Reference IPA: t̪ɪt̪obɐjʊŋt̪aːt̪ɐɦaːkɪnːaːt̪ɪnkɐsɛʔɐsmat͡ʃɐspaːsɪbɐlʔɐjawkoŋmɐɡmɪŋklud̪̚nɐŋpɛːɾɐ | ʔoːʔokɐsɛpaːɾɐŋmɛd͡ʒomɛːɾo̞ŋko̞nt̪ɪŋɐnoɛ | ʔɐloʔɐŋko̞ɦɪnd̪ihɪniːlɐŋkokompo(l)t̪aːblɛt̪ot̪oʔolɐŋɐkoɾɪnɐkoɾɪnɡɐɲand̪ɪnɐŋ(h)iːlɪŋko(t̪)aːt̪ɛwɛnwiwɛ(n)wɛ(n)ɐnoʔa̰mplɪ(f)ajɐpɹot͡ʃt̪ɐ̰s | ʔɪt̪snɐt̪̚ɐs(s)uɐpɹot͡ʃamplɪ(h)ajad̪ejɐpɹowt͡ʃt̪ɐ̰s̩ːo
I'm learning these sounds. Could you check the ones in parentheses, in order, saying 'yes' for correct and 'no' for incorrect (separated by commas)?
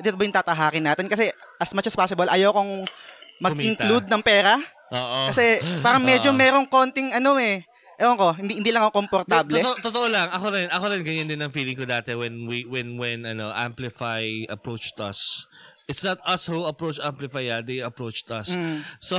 no, no, no, yes, yes, yes, no, no